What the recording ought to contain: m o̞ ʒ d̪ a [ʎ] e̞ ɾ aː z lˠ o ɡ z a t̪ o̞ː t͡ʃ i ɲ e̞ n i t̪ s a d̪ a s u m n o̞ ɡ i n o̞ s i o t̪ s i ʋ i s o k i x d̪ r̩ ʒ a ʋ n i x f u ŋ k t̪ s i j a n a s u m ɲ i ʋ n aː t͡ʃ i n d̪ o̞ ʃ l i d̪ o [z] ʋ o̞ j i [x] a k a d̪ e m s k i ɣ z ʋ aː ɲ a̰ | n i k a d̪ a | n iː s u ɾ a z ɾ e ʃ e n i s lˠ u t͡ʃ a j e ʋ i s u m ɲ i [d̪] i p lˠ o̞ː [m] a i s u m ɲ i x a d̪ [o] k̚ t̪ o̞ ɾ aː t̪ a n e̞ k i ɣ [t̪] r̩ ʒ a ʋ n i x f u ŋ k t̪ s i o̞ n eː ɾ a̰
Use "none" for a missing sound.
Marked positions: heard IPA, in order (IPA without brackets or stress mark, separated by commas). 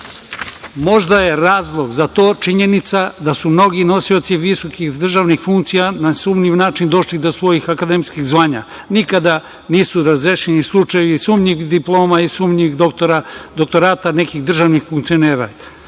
j, s, x, d̪, m, o, d̪